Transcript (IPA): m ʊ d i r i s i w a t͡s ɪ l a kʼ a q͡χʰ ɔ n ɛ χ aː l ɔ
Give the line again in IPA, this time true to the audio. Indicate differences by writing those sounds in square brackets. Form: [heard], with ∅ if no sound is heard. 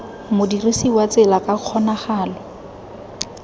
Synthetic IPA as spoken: m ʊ d i r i s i w a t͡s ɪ l a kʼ a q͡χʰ ɔ n [a] χ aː l ɔ